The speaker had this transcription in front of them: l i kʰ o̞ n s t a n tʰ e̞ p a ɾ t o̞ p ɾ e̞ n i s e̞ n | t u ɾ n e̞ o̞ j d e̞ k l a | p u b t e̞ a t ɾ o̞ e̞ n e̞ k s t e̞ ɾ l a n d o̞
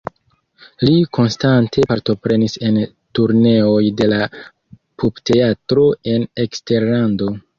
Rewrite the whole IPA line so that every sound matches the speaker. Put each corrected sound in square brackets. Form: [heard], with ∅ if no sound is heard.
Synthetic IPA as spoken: l i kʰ o̞ n s t a n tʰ e̞ p a ɾ t o̞ p ɾ e̞ n i s e̞ n | t u ɾ n e̞ o̞ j d e̞ [∅] l a | p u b t e̞ a t ɾ o̞ e̞ n e̞ k s t e̞ ɾ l a n d o̞